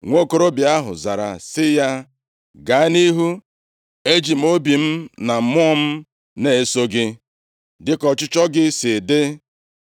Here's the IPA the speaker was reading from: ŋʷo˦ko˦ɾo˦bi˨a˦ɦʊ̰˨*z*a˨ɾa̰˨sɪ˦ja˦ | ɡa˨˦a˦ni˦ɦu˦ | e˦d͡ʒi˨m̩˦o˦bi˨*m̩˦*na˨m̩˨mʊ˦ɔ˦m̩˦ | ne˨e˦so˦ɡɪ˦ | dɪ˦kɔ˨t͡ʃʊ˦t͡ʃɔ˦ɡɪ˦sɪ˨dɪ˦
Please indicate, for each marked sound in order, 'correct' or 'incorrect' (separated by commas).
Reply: correct, correct